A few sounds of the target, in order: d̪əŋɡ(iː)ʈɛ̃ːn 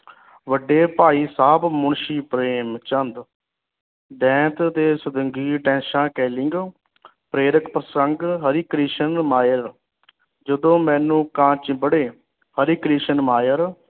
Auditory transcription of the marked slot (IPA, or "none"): iː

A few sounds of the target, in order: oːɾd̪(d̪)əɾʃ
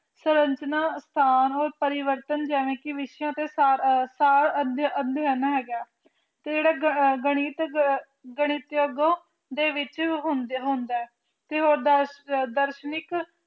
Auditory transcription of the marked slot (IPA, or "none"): d̪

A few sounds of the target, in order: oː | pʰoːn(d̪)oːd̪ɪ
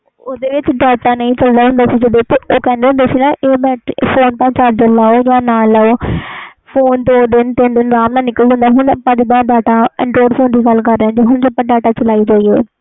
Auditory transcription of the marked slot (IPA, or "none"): d̪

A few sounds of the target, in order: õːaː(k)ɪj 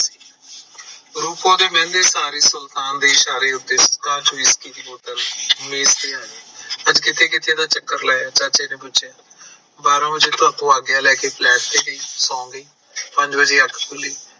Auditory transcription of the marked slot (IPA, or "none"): ɡ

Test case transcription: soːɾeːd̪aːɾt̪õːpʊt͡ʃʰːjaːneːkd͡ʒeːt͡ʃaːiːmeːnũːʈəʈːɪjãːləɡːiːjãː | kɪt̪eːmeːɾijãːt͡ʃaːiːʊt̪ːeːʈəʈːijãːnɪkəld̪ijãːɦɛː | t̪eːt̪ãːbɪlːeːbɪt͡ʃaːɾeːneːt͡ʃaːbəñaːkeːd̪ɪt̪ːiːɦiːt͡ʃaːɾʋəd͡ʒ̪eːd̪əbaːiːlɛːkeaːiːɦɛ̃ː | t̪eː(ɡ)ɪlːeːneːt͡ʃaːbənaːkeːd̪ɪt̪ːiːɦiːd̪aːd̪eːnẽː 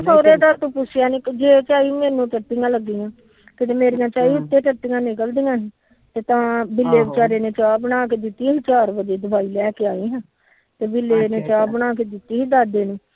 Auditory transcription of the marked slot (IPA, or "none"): b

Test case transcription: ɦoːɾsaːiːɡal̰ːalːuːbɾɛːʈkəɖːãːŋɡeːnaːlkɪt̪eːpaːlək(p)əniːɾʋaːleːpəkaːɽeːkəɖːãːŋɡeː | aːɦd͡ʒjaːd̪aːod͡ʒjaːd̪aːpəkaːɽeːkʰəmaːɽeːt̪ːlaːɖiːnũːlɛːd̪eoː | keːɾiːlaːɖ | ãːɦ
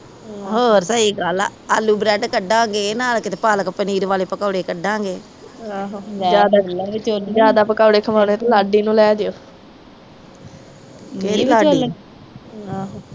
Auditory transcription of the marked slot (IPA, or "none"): p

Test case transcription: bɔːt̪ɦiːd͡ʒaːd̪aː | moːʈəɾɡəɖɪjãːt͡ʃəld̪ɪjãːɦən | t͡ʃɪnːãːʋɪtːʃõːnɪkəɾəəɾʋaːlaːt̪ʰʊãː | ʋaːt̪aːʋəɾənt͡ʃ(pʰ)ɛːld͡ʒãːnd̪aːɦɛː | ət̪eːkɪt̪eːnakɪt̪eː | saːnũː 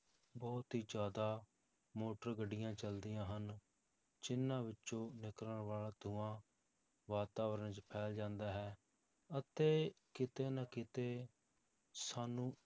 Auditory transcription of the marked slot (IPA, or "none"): pʰ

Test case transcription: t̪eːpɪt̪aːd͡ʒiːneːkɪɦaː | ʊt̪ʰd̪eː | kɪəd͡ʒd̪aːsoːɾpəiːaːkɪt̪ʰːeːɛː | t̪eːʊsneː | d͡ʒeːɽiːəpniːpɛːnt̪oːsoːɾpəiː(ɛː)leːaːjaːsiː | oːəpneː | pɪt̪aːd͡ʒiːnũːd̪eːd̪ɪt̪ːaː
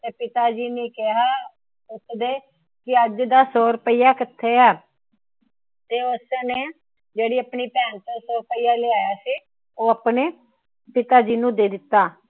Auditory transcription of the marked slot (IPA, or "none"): aː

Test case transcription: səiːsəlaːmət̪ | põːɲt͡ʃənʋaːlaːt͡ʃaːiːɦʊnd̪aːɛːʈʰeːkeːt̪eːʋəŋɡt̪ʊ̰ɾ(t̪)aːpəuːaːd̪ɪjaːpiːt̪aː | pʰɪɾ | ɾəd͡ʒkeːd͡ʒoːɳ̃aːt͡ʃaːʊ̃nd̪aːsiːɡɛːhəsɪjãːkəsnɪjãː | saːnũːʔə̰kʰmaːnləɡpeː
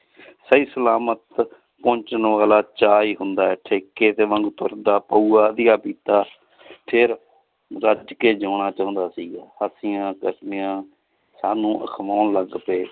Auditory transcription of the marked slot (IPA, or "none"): d̪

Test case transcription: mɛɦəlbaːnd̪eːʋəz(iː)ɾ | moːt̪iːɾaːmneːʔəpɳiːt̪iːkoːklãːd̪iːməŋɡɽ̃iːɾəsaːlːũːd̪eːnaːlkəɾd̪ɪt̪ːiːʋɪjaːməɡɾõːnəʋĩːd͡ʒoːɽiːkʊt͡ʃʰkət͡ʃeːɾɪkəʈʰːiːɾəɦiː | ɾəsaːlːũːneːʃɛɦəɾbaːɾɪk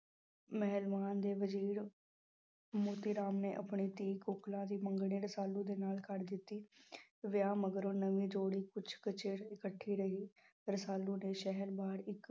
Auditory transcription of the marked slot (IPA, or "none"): iː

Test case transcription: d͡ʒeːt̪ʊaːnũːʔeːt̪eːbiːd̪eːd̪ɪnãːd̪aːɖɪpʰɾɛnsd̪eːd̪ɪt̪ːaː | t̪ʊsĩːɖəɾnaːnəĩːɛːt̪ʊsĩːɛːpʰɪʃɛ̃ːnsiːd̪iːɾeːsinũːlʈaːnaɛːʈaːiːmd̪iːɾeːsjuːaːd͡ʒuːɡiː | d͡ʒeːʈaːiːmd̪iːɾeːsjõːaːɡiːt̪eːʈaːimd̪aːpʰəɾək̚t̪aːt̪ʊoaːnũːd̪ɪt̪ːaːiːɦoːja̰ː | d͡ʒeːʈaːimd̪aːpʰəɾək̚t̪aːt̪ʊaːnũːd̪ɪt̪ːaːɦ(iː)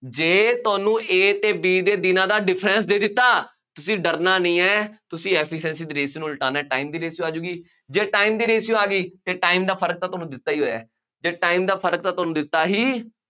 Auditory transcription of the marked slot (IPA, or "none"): iː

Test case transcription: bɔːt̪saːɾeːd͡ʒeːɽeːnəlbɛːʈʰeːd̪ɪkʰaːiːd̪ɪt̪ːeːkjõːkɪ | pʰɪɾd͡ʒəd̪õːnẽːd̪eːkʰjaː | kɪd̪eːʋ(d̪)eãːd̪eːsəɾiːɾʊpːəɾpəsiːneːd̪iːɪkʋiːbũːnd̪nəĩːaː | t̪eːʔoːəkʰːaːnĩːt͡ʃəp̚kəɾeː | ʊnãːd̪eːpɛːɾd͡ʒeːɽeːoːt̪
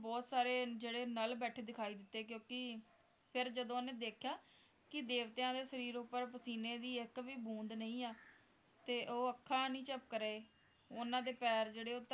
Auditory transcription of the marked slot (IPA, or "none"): t̪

